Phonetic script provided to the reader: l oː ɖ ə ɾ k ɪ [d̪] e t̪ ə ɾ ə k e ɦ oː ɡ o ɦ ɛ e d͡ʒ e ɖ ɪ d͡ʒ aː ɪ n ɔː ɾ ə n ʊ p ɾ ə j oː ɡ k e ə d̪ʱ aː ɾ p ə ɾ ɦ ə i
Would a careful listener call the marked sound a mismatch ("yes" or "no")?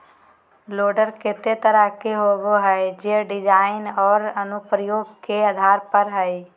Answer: yes